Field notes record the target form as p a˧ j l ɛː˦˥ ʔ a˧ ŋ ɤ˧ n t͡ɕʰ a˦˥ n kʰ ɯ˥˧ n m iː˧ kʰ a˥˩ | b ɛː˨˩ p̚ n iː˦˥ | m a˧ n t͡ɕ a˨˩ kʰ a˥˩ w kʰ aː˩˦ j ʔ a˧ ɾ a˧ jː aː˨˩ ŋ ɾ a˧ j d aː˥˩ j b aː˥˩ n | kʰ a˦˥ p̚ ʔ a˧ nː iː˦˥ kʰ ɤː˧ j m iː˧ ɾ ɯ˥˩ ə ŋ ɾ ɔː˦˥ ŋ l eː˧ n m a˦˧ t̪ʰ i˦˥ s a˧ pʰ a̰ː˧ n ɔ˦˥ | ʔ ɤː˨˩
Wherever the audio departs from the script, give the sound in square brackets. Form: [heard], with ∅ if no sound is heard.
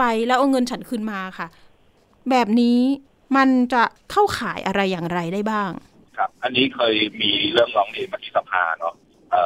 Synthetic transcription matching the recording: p a˧ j l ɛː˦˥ ʔ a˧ ŋ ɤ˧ n t͡ɕʰ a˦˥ n kʰ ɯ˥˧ n m [aː˧] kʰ a˥˩ | b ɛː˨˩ p̚ n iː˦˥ | m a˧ n t͡ɕ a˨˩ kʰ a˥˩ w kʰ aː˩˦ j ʔ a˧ ɾ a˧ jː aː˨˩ ŋ ɾ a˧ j d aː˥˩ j b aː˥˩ [ŋ] | kʰ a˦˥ p̚ ʔ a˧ nː iː˦˥ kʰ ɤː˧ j m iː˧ ɾ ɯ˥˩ ə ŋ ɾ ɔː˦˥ ŋ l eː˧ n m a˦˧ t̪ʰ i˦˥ s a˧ pʰ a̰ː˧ n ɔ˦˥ | ʔ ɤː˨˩